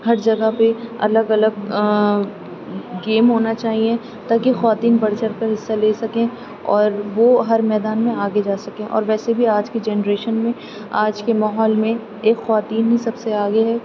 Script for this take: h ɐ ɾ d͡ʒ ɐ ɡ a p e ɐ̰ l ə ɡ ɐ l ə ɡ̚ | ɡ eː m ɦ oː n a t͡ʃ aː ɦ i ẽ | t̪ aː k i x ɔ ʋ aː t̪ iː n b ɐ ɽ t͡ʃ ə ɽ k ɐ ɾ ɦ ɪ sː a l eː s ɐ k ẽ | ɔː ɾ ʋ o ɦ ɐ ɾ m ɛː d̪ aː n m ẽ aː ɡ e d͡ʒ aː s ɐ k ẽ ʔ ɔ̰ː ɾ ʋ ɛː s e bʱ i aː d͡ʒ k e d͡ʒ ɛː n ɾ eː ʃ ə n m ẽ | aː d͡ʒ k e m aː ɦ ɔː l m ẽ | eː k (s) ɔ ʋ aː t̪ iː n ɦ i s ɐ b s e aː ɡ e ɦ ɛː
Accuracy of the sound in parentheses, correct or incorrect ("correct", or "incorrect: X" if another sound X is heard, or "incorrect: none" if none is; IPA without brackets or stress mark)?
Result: incorrect: x